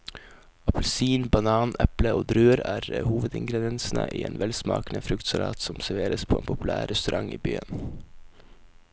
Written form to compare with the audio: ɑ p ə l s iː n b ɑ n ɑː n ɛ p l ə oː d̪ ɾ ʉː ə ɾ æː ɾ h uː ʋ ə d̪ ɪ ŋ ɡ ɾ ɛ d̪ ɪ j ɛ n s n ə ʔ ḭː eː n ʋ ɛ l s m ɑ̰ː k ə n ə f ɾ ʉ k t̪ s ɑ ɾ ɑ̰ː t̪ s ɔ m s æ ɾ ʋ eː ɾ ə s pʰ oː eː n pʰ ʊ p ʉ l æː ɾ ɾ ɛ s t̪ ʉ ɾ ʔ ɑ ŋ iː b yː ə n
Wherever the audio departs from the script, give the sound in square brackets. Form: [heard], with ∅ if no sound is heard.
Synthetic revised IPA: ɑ p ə l s iː n b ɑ n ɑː n ɛ p l ə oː d̪ ɾ ʉː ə ɾ æː ɾ h uː ʋ ə d̪ ɪ ŋ ɡ ɾ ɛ d̪ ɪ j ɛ n s n ə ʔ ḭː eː n ʋ ɛ l s m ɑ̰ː k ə n ə f ɾ ʉ k t̪ s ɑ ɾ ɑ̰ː t̪ s ɔ m s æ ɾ ʋ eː ɾ ə s pʰ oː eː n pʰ ʊ p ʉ l æː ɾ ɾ ɛ s t̪ ʉ ɾ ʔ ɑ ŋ iː b yː ə n

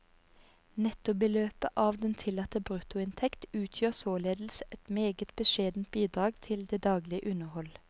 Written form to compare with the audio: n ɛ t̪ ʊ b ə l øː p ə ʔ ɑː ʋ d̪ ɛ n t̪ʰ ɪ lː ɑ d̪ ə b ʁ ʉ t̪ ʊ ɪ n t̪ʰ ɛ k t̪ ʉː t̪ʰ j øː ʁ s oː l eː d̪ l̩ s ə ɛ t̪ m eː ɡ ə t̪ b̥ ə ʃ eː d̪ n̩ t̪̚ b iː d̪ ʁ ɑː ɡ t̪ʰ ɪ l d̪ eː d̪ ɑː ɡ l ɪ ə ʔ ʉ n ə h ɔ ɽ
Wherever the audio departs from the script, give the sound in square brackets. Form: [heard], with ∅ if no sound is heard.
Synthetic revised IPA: n ɛ t̪ ʊ b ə l øː p ə ʔ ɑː ʋ d̪ ɛ n t̪ʰ ɪ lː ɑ [t̪] ə b ʁ ʉ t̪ ʊ ɪ n t̪ʰ ɛ k t̪ ʉː t̪ʰ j øː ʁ s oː l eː d̪ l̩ s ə ɛ t̪ m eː ɡ ə t̪ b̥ ə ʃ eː d̪ n̩ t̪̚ b iː d̪ ʁ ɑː ɡ t̪ʰ ɪ l d̪ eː d̪ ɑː ɡ l ɪ ə ʔ ʉ n ə h ɔ [l]

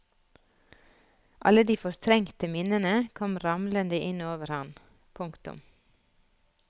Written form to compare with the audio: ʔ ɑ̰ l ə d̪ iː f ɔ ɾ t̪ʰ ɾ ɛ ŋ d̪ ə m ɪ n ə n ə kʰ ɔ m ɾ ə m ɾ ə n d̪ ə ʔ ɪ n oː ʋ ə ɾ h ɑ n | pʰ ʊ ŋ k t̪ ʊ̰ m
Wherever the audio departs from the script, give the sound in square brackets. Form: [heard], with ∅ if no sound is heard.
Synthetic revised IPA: ʔ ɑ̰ l ə d̪ iː f ɔ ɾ t̪ʰ ɾ ɛ ŋ [t̪] ə m ɪ n ə n ə kʰ ɔ m ɾ [ɑ] m [l] ə n d̪ ə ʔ ɪ n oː ʋ ə ɾ h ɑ n | pʰ ʊ ŋ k t̪ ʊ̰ m

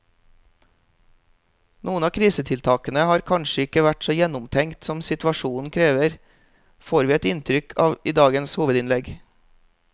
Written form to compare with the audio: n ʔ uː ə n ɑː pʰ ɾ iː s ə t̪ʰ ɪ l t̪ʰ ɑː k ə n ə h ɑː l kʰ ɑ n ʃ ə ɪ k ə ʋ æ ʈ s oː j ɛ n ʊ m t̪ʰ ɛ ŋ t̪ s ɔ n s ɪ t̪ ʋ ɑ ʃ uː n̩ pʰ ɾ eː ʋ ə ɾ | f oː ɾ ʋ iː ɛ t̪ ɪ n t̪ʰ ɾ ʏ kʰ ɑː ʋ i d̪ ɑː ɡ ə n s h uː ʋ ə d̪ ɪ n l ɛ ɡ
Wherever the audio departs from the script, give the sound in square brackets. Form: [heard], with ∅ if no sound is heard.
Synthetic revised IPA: n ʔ uː ə n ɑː [kʰ] ɾ iː s ə t̪ʰ ɪ l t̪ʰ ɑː k ə n ə h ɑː [ɾ] kʰ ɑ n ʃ ə ɪ k ə ʋ æ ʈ s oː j ɛ n ʊ m t̪ʰ ɛ ŋ t̪ s ɔ [m] s ɪ t̪ ʋ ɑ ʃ uː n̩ [kʰ] ɾ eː ʋ ə ɾ | f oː ɾ ʋ iː ɛ t̪ ɪ n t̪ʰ ɾ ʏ kʰ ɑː ʋ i d̪ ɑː ɡ ə n s h uː ʋ ə d̪ ɪ n l ɛ ɡ

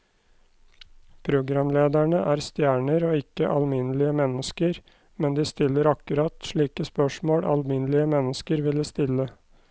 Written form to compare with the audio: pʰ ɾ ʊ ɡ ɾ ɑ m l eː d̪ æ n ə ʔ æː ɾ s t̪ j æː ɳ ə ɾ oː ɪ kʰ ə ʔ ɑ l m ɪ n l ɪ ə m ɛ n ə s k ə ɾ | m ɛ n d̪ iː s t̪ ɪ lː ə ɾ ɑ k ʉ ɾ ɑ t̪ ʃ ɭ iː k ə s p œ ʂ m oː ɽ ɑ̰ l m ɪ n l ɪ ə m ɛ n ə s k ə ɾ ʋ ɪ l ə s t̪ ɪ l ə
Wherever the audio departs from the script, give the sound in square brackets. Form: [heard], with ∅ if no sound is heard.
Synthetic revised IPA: pʰ ɾ ʊ ɡ ɾ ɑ m l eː d̪ æ [ɳ] ə ʔ æː ɾ s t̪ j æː ɳ ə ɾ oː ɪ [k] ə ʔ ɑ l m ɪ n l ɪ ə m ɛ n ə s k ə ɾ | m ɛ n d̪ iː s t̪ ɪ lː ə ɾ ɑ k ʉ ɾ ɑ t̪ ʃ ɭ iː k ə s p œ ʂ m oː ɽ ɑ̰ l m ɪ n l ɪ ə m ɛ n ə s k ə ɾ ʋ ɪ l ə s t̪ ɪ l ə

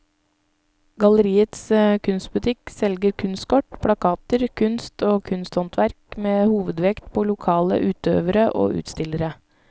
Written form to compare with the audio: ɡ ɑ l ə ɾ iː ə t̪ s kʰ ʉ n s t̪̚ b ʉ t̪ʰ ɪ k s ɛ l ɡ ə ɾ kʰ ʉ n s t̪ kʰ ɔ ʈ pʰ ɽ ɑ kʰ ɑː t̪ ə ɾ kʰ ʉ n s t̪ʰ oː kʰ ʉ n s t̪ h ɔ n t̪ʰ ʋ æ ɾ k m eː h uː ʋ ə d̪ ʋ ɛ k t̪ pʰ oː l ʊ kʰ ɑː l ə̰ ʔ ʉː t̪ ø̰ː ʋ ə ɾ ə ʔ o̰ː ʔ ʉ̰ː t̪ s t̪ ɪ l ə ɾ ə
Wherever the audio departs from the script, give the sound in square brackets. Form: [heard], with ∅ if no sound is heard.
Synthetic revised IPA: ɡ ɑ l ə ɾ iː ə t̪ s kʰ ʉ n s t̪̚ b ʉ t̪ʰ ɪ k s ɛ l ɡ ə ɾ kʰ ʉ n s t̪ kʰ ɔ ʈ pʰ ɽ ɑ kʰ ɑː t̪ ə ɾ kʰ ʉ n s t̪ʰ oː kʰ ʉ n s t̪ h ɔ n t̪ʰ ʋ æ ɾ k m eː h uː ʋ ə d̪ ʋ ɛ k t̪ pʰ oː l ʊ kʰ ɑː l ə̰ ʔ ʉː t̪ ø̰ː ʋ ə ɾ ə ʔ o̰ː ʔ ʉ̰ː t̪ s t̪ ɪ l ə ɾ ə

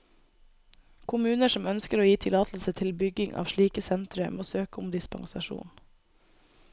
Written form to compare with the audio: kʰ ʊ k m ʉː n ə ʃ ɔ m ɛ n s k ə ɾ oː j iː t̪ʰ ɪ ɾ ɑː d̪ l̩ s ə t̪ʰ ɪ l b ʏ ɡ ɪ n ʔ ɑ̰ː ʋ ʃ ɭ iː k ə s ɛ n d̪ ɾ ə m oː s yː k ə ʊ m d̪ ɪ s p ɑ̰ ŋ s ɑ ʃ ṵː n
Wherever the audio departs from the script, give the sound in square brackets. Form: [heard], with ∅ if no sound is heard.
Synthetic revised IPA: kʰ ʊ [∅] m ʉː n ə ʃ ɔ m [œ] n s k ə ɾ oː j iː t̪ʰ ɪ [l] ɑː [t̪] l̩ s ə t̪ʰ ɪ l b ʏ ɡ ɪ [ŋ] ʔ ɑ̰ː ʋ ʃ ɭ iː k ə s ɛ n [t̪] ɾ ə m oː s [øː] k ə ʊ m d̪ ɪ s p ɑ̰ ŋ s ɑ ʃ ṵː n

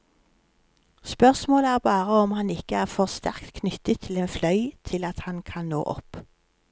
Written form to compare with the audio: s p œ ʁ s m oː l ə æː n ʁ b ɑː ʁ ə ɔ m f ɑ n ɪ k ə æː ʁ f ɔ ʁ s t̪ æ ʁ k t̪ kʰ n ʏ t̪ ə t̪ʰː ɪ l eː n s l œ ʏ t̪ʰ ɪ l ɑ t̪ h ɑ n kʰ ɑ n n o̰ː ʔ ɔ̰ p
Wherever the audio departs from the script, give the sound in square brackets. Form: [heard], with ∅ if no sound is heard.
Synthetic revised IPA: s p œ ʁ s m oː l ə æː [∅] ʁ b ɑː ʁ ə ɔ m [h] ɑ n ɪ k ə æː ʁ f ɔ ʁ s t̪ æ ʁ k t̪ kʰ n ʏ t̪ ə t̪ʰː ɪ l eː n [f] l œ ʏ t̪ʰ ɪ l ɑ t̪ h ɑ n kʰ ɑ n n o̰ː ʔ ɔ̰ p

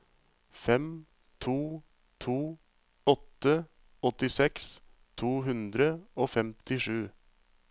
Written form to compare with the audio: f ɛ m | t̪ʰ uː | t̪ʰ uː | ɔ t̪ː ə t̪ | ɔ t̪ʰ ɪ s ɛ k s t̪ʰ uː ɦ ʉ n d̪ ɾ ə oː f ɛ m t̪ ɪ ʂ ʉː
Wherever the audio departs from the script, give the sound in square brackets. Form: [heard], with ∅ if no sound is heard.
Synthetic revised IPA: f ɛ m | t̪ʰ uː | t̪ʰ uː | ɔ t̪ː ə [∅] | ɔ [t̪] ɪ s ɛ k s t̪ʰ uː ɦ ʉ n d̪ ɾ ə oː f ɛ m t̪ ɪ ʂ ʉː

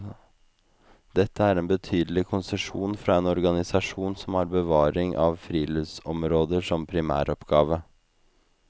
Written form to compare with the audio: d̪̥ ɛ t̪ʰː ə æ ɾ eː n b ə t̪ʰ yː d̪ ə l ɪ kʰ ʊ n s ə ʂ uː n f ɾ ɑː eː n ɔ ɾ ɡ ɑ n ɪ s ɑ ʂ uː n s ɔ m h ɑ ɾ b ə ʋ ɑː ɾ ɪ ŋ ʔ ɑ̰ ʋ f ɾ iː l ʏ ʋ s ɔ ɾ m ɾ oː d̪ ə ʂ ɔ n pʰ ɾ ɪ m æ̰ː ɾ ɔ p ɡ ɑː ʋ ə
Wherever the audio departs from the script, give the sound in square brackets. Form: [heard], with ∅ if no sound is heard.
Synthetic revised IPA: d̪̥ ɛ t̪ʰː ə æ ɾ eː n b ə t̪ʰ yː d̪ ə l ɪ kʰ ʊ n s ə ʂ uː n f ɾ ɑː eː n ɔ ɾ ɡ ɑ n ɪ s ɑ ʂ uː n s ɔ m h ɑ ɾ b ə ʋ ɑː ɾ ɪ ŋ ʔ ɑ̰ ʋ f ɾ iː l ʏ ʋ s ɔ [∅] m ɾ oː d̪ ə ʂ ɔ [m] pʰ ɾ ɪ m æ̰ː ɾ ɔ p ɡ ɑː ʋ ə

